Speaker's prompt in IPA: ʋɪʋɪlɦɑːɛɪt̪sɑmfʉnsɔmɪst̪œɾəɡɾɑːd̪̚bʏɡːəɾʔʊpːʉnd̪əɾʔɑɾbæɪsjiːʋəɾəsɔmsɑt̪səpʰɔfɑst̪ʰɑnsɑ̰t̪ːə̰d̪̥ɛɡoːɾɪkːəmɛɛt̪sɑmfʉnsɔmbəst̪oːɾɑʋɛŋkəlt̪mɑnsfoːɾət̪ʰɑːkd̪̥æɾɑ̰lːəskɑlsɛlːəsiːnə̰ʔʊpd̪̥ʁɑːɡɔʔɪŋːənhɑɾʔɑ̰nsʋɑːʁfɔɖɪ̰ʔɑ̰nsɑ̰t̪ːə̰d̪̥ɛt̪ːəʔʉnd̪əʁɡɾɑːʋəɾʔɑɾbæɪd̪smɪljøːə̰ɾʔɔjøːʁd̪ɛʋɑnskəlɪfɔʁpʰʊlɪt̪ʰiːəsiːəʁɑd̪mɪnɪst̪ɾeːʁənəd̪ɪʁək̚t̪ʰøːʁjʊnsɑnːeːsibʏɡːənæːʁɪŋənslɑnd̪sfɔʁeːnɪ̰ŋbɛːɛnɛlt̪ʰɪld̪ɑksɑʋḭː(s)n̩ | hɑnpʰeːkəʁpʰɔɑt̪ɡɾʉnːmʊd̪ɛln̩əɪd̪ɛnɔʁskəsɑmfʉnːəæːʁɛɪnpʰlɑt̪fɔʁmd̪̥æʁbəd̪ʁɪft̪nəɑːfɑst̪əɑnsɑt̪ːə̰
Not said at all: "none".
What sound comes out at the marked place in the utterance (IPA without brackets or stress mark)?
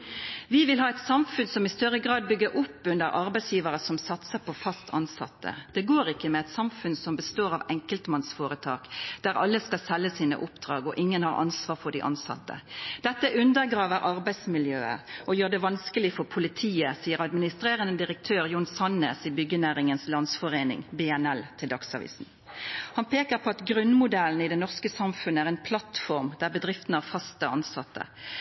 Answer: s